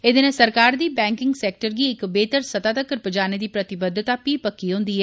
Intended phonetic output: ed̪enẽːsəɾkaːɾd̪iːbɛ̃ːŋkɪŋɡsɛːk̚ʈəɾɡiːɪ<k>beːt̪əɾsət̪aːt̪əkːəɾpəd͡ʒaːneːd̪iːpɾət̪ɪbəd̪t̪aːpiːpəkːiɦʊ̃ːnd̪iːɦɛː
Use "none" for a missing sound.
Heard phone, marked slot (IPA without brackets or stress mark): k